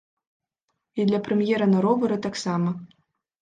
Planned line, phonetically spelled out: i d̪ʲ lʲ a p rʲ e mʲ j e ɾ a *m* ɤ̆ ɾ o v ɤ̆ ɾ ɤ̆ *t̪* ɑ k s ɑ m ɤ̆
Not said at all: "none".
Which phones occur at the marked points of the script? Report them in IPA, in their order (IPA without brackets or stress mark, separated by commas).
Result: n, t̪